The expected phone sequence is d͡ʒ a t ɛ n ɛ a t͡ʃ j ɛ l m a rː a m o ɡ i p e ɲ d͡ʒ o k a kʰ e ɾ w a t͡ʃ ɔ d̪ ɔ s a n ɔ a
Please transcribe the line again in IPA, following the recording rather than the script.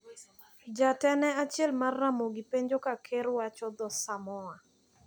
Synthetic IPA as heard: d͡ʒ a t ɛ n ɛ a t͡ʃ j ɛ l m a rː a m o ɡ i p e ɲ d͡ʒ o k a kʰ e ɾ w a t͡ʃ ɔ d̪ ɔ s a m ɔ a

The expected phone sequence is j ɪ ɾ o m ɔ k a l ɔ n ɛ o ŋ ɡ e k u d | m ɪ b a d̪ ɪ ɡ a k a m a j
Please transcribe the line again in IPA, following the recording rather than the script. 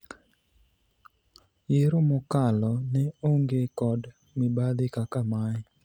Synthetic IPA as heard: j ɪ ɾ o m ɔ k a l ɔ n ɛ o ŋ ɡ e k ɔ d | m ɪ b a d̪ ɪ k a k a m a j

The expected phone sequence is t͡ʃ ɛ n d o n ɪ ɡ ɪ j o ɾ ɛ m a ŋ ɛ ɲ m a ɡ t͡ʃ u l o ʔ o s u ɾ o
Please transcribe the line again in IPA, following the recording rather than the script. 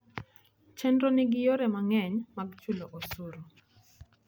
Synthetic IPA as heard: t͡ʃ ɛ n d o n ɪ ɡ ɪ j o ɾ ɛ m a ŋ ɛ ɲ m a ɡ t͡ʃ u l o ʔ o s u ɾ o

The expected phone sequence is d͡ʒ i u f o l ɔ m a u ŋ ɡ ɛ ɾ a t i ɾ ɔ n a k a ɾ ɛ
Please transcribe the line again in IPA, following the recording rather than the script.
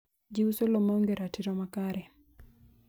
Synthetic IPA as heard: d͡ʒ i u s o l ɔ m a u ŋ ɡ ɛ ɾ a t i ɾ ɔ m a k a ɾ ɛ

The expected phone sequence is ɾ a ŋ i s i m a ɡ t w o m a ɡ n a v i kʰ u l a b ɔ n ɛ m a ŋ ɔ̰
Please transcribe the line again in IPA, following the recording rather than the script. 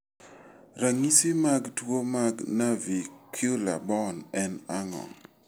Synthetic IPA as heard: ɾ a ŋ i s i m a ɡ t w o m a ɡ n a v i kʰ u l a b ɔ n ɛ n a ŋ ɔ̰

